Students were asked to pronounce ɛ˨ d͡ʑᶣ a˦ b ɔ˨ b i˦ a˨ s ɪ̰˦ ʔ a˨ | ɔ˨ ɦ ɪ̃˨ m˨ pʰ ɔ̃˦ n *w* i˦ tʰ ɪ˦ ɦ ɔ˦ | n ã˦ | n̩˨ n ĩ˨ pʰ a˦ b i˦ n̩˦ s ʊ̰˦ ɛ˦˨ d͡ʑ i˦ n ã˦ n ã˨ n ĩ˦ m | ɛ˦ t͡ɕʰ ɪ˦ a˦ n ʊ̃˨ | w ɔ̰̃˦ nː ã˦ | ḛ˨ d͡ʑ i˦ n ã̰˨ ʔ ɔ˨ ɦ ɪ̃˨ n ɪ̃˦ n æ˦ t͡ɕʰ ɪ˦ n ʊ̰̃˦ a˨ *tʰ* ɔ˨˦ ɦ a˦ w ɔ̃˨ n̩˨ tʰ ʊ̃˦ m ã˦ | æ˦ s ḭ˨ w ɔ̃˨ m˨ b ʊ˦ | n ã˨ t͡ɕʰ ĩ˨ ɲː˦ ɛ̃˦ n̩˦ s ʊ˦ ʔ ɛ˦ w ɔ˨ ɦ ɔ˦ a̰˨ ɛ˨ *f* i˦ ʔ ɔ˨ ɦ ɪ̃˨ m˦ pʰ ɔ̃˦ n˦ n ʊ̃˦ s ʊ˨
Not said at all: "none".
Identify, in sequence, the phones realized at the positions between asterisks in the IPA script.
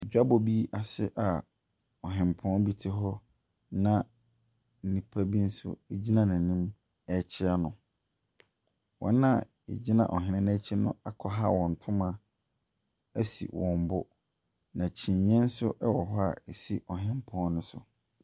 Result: b, kʰ, s

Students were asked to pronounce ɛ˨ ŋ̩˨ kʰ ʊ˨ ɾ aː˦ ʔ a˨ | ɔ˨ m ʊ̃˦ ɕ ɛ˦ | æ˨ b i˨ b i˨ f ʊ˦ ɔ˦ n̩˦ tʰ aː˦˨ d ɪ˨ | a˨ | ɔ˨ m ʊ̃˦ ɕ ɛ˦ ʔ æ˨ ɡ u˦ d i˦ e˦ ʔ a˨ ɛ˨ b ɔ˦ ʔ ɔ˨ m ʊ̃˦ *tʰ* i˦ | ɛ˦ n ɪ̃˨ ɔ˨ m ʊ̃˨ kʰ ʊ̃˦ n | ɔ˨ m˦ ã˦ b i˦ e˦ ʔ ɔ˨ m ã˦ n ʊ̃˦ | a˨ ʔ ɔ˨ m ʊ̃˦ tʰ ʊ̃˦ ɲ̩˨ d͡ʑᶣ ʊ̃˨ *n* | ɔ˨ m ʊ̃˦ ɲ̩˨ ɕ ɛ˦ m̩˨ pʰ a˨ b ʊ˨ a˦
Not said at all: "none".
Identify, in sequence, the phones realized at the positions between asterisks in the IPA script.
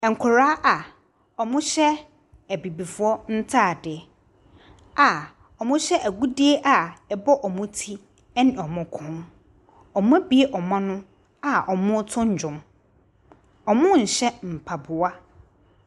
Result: tʰ, m

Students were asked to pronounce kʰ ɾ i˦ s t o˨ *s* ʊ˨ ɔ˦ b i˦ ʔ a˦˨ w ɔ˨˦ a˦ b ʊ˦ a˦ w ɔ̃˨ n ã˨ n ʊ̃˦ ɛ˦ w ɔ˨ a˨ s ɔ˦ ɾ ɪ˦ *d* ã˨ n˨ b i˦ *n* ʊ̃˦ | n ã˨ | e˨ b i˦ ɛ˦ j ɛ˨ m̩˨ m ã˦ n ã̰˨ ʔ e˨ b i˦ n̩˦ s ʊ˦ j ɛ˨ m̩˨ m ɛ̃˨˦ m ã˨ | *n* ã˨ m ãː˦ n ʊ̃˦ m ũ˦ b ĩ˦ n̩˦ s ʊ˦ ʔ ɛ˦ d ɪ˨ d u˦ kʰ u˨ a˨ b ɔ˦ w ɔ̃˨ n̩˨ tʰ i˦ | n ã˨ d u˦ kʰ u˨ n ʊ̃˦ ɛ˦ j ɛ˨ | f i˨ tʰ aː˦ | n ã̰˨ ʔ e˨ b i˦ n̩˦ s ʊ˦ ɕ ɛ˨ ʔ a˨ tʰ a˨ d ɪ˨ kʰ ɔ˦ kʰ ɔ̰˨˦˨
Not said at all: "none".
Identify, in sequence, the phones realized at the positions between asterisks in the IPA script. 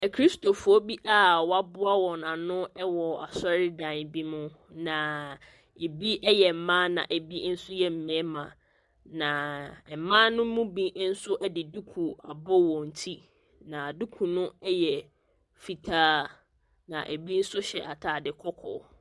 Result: f, d, m, n

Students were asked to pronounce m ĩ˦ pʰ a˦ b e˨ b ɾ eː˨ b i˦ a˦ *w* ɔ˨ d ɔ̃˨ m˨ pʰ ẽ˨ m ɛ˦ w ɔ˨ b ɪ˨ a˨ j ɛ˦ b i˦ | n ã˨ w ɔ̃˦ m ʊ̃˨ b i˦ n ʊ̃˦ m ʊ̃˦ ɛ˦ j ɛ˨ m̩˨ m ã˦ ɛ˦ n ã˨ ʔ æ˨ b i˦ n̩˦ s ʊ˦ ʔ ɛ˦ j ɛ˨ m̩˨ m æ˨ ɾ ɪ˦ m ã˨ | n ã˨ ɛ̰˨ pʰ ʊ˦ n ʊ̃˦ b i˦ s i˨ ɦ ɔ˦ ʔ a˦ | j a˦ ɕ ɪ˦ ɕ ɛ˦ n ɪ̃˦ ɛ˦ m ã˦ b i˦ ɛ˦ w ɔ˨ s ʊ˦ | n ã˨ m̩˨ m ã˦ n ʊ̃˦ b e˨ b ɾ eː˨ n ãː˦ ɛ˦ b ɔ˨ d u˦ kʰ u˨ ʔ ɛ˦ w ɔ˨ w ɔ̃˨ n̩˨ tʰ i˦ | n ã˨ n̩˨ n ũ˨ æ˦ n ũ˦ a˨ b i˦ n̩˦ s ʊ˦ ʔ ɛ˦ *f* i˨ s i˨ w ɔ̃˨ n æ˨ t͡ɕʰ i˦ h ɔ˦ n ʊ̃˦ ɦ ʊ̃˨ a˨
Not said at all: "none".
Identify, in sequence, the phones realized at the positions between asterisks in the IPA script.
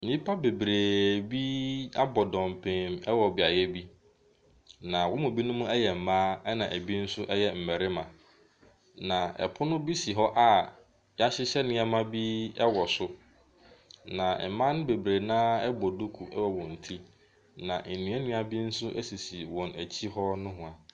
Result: b, s

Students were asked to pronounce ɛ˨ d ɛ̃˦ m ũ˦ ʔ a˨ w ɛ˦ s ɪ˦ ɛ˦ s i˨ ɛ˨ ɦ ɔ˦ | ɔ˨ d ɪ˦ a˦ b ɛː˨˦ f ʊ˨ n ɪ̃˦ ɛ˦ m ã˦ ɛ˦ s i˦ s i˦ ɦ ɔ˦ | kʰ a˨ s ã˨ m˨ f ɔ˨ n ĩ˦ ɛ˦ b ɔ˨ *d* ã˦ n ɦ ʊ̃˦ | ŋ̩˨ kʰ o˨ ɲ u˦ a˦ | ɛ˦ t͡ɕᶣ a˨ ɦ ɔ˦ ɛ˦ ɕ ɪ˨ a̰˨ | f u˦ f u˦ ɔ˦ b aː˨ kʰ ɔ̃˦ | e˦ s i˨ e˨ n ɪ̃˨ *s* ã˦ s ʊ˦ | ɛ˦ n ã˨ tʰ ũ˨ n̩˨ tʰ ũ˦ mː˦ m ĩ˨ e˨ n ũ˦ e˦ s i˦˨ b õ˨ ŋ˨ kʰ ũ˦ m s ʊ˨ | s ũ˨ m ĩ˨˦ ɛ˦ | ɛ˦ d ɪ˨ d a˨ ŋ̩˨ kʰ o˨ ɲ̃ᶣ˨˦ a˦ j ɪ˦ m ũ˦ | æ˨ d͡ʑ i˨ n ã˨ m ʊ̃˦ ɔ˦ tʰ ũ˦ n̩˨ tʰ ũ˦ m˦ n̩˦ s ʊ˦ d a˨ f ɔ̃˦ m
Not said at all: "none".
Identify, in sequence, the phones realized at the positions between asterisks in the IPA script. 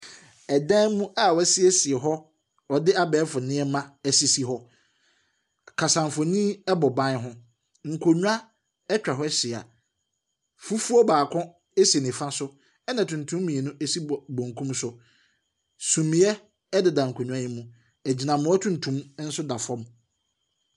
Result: b, f

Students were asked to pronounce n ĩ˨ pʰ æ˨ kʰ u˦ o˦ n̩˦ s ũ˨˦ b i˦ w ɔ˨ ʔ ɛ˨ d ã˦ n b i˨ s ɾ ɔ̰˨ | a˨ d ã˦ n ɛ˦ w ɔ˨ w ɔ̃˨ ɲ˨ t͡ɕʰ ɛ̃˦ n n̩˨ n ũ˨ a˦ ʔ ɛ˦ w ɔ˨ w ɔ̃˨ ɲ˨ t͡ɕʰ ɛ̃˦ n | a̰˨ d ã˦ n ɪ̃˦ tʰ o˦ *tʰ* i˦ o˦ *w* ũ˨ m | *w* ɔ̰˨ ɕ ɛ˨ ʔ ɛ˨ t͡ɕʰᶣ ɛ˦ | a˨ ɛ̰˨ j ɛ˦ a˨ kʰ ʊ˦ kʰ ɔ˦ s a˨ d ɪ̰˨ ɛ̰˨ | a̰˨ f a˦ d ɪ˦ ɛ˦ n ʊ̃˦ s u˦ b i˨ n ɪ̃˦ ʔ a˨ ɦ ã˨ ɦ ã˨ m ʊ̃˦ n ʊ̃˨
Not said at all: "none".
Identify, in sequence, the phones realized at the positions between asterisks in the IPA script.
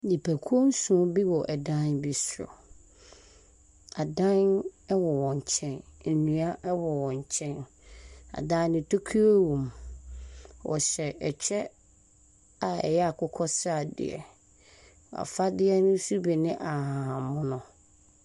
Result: kʰ, w, w

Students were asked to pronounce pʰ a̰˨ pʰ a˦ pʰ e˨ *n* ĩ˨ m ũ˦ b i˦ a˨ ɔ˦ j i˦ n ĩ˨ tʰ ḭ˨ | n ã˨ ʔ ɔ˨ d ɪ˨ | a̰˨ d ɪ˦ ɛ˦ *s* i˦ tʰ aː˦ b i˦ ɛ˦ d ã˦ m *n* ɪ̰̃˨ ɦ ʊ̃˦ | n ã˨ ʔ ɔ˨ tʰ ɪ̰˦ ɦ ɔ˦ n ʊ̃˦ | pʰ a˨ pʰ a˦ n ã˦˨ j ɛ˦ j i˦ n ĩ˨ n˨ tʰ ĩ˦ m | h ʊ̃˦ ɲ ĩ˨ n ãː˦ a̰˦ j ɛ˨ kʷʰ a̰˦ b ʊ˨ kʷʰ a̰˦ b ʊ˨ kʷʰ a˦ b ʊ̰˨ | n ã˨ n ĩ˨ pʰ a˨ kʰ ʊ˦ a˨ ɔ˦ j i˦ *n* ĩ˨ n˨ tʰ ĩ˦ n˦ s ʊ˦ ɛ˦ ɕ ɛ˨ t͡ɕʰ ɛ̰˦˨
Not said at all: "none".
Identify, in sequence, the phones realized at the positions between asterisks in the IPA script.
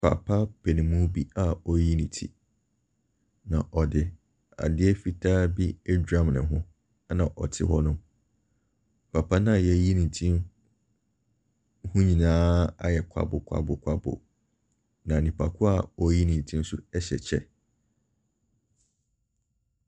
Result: n, f, n, n

